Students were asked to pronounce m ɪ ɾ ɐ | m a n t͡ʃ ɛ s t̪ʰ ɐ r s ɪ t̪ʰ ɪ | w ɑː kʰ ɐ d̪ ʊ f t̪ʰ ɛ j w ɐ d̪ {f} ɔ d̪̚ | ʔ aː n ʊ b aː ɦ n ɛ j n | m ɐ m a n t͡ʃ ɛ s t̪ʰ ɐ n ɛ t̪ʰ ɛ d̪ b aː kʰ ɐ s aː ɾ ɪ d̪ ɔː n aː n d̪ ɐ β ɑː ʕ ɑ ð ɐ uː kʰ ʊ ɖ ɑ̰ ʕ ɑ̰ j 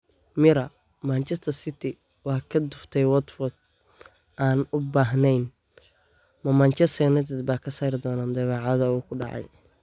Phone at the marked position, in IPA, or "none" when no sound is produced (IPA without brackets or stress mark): f